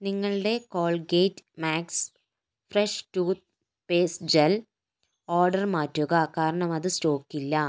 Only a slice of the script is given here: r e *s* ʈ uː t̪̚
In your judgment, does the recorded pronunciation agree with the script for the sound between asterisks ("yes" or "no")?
no